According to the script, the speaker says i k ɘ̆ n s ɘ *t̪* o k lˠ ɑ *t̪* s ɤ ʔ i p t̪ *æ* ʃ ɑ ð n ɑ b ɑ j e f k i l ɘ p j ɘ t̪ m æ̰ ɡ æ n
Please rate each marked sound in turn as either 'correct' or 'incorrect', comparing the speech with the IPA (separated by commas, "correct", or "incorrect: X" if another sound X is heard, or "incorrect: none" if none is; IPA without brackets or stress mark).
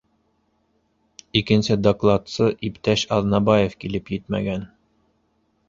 incorrect: d̪, correct, correct